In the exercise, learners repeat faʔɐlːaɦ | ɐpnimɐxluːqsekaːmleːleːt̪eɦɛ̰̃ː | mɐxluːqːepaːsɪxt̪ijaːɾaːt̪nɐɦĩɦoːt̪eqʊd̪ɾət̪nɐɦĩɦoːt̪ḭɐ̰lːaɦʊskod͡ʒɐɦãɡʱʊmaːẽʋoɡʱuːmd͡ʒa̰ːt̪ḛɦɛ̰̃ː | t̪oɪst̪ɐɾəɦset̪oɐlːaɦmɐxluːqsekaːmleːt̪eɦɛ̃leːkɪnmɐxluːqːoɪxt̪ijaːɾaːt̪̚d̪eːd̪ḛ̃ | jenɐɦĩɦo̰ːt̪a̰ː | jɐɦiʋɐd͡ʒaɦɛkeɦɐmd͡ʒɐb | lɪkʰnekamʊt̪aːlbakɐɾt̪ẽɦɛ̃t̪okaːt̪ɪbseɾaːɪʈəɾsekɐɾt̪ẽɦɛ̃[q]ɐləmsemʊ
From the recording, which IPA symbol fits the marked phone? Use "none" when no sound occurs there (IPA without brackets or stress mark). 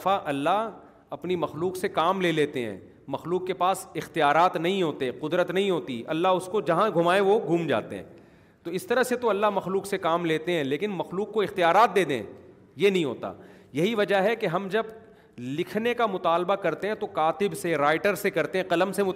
q